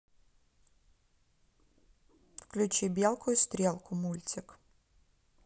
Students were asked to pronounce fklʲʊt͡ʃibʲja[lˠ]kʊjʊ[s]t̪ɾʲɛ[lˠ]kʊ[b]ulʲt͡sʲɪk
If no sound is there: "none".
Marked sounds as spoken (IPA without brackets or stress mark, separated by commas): lˠ, s, lˠ, m